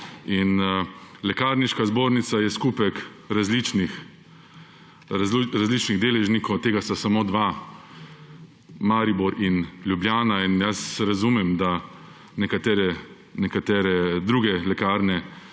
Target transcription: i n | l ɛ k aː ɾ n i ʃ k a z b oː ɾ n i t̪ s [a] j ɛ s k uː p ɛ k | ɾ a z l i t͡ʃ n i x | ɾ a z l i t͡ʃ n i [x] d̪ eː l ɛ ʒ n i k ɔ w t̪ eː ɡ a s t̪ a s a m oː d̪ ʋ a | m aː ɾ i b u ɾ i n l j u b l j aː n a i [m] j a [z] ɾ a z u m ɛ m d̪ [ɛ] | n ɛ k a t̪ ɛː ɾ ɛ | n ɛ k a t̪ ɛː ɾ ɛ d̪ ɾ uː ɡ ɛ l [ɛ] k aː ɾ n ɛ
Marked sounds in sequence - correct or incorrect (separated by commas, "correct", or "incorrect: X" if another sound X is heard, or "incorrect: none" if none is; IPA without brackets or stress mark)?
correct, incorrect: ɣ, incorrect: n, incorrect: s, incorrect: a, correct